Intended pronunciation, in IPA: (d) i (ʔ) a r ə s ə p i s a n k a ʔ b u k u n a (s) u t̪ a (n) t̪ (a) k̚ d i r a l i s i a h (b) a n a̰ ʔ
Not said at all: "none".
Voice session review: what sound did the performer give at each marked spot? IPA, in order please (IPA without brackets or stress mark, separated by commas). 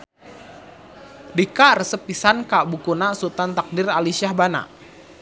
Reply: d, k, s, n, a, b